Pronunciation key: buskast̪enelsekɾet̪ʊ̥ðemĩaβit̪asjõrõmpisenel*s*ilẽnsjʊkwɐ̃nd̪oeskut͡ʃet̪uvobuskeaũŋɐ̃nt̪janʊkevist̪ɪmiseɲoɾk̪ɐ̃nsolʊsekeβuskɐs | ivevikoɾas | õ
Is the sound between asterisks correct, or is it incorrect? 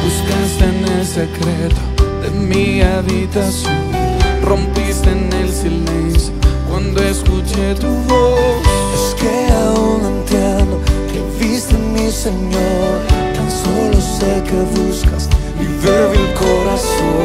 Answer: correct